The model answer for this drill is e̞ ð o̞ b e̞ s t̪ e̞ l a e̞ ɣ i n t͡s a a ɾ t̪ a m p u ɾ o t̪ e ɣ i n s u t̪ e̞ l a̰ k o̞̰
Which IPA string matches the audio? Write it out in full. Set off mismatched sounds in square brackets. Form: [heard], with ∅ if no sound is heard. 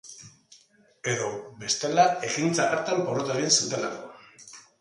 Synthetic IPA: e̞ ð o̞ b e̞ s t̪ e̞ l a e̞ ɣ i n t͡s a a ɾ t̪ a m p [o] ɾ o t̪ e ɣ i n s u t̪ e̞ l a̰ k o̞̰